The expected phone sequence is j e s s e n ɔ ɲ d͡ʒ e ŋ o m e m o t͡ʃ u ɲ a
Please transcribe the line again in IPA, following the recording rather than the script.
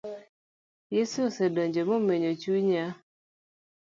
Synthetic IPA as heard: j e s s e d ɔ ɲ d͡ʒ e m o m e ɲ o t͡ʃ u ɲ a

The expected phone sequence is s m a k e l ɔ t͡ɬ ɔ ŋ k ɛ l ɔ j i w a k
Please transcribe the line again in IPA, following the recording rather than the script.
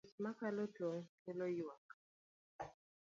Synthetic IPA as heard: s m a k a l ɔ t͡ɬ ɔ ŋ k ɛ l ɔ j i w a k

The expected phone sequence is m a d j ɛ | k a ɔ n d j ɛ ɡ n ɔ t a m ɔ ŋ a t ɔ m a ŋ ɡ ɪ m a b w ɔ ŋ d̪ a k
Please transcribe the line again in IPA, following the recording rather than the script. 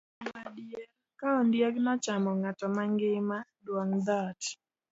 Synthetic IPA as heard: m a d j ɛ | k a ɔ n d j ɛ ɡ n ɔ t͡ʃ a m ɔ ŋ a t ɔ m a ŋ ɡ ɪ m a d w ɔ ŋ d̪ a t

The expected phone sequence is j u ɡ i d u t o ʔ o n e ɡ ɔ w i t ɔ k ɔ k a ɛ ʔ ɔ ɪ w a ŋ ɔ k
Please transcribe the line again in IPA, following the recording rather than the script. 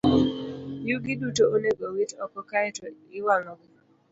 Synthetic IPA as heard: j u ɡ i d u t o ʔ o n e ɡ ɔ w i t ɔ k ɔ k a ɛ t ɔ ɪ w a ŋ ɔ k

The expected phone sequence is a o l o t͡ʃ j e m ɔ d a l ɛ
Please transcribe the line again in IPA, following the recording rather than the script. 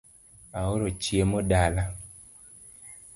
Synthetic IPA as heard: a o ɾ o t͡ʃ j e m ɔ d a l a

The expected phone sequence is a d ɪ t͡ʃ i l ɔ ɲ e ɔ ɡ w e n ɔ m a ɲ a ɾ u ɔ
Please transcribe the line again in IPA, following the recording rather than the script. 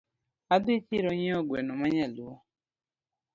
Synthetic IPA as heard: a d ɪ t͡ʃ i ɾ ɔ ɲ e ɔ ɡ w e n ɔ m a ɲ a l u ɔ

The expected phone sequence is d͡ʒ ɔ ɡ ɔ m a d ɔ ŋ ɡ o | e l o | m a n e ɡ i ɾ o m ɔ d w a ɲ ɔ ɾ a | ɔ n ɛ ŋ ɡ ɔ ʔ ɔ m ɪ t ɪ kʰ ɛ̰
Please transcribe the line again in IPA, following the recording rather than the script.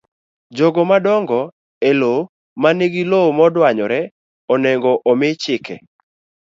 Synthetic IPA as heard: d͡ʒ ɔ ɡ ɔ m a d ɔ ŋ ɡ ɔ | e l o | m a n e ɡ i l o m ɔ d w a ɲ ɔ ɾ ɛ | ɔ n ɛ ŋ ɡ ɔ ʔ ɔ m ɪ t͡ʃ ɪ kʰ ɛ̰

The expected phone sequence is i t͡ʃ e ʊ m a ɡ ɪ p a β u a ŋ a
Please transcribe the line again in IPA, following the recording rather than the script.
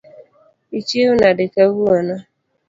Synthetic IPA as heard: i t͡ʃ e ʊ n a d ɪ k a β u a n a

